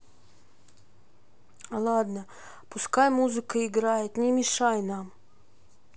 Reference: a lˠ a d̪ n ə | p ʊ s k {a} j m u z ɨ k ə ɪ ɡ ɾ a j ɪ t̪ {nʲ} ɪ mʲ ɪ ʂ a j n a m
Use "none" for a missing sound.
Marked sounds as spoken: a, nʲ

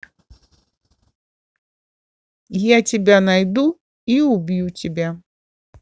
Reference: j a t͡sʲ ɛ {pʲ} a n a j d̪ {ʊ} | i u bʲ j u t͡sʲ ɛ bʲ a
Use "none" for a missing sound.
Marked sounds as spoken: bʲ, u

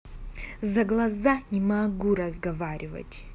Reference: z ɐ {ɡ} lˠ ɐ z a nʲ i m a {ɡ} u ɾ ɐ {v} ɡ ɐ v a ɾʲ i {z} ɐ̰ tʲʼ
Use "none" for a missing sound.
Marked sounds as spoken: ɡ, ɡ, z, v

